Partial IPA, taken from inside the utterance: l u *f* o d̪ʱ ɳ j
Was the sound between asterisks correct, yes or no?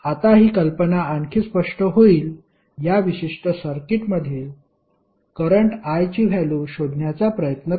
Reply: no